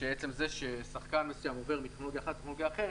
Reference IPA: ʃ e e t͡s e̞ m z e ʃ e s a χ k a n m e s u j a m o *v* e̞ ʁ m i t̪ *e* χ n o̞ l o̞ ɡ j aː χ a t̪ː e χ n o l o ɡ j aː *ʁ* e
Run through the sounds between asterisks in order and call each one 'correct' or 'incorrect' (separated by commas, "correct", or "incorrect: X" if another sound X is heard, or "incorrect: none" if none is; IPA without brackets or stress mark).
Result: correct, correct, incorrect: χ